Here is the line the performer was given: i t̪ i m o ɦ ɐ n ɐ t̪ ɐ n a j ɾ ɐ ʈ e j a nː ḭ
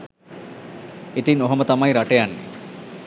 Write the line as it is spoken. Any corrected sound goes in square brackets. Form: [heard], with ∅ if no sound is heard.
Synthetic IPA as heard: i t̪ i [n] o ɦ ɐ [m] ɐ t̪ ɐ [m] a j ɾ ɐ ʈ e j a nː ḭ